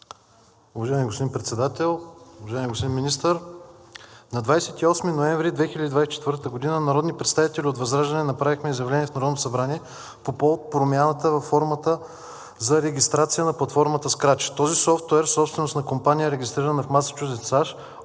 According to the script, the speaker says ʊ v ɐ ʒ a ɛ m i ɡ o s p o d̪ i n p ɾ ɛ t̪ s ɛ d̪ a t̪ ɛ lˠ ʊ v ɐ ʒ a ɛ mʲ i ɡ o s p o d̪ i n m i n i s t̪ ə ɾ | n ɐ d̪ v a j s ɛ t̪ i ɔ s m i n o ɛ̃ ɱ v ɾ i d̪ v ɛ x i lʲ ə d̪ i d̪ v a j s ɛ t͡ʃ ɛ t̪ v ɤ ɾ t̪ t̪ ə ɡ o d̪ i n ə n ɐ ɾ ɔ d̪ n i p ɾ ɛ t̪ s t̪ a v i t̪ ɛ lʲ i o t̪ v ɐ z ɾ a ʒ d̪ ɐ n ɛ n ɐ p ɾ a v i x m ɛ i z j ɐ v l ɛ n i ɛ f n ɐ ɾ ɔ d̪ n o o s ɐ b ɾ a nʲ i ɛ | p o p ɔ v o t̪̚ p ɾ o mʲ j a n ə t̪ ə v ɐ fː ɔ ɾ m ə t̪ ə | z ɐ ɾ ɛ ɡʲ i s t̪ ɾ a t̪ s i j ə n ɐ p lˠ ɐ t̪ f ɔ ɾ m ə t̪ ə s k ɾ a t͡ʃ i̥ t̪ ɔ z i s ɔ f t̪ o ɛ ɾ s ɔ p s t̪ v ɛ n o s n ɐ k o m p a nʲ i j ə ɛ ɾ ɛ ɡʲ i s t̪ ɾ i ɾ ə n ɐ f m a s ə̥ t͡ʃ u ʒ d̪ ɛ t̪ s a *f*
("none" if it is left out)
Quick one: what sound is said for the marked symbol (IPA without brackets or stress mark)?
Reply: ʃ